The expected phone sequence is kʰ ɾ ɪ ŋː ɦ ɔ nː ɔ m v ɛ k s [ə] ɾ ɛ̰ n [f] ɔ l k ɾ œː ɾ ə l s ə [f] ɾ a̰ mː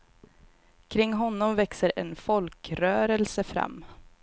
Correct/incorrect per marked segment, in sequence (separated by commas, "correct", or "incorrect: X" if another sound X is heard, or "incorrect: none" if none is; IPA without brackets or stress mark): correct, correct, correct